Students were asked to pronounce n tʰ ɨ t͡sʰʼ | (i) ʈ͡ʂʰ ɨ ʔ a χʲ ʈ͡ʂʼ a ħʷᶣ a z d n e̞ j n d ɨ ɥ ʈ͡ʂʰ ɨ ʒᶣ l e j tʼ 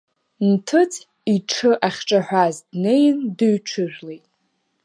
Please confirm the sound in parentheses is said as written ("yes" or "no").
yes